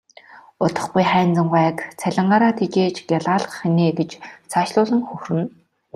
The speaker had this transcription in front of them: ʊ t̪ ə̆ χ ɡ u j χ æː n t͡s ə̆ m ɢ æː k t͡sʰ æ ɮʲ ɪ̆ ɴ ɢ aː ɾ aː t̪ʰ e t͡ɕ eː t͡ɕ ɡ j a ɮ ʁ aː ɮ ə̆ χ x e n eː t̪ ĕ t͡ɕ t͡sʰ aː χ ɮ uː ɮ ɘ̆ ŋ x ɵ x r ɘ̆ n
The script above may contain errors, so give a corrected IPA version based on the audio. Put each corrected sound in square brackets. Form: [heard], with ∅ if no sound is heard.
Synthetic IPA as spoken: ʊ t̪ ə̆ χ ɡ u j χ æː n t͡s ə̆ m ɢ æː k t͡sʰ æ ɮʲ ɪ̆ ɴ ɢ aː ɾ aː t̪ʰ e t͡ɕ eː t͡ɕ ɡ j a ɮ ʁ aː ɮ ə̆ χ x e n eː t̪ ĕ t͡ɕ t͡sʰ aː [ʃ] ɮ [ʊː] ɮ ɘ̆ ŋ x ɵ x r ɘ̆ n